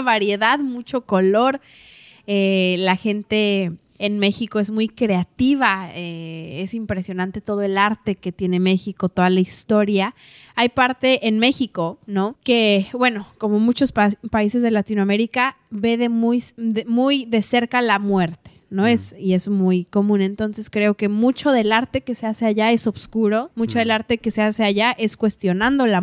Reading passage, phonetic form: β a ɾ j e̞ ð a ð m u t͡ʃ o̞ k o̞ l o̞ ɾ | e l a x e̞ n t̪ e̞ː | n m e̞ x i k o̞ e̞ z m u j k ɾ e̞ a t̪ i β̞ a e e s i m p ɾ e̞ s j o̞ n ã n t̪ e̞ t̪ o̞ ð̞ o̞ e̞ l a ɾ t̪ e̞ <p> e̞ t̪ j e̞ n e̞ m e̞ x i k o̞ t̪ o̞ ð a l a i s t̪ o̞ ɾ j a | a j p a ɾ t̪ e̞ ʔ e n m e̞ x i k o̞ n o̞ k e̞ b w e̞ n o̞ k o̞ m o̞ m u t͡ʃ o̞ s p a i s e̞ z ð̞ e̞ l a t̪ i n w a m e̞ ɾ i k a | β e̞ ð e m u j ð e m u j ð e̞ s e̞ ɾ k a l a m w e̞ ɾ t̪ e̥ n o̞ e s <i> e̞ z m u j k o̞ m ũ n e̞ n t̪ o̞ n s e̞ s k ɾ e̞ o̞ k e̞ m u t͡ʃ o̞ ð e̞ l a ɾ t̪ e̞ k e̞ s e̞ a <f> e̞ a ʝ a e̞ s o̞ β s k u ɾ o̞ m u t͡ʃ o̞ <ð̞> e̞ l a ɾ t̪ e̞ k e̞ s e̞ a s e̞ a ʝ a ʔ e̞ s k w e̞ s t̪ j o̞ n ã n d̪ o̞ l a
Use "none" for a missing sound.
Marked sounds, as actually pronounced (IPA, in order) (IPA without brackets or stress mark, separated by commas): k, i, s, ð̞